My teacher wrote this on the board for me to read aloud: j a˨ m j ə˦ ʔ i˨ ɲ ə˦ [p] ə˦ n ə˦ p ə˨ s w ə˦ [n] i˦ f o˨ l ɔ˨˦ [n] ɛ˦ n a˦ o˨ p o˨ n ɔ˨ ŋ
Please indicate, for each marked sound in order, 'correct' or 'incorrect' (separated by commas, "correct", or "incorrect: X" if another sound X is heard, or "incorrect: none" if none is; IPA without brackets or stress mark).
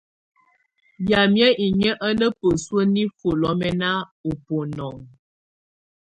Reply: incorrect: ʔ, correct, incorrect: m